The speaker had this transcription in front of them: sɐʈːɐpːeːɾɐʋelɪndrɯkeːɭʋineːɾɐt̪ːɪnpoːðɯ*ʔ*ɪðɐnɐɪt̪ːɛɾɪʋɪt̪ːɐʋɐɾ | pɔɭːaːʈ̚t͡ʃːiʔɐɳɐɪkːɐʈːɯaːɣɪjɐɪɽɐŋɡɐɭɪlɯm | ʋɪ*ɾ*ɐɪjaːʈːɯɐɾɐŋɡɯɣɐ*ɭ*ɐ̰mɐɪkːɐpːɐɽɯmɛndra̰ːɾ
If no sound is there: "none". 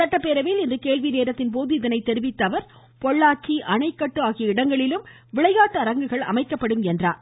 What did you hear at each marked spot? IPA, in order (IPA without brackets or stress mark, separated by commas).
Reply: none, ɭ, ɭ